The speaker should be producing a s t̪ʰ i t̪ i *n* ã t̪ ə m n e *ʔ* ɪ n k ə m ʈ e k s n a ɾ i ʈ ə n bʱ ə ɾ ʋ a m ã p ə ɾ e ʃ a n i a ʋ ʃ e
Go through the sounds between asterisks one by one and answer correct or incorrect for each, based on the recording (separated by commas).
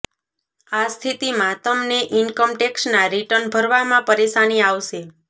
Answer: incorrect, correct